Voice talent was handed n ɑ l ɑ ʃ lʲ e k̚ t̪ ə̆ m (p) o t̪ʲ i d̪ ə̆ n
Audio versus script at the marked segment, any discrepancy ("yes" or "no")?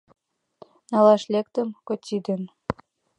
yes